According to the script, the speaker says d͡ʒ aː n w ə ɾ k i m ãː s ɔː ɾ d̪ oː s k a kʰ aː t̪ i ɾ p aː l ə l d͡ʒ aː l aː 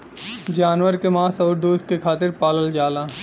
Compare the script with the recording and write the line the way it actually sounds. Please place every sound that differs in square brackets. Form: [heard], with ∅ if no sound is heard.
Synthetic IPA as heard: d͡ʒ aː n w ə ɾ k [e] m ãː s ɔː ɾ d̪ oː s k [e] kʰ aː t̪ [ɪ] ɾ p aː l ə l d͡ʒ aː l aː